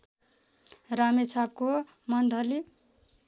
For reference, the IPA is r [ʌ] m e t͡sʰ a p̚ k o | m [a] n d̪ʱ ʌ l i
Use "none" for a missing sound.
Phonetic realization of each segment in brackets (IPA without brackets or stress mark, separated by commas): a, ʌ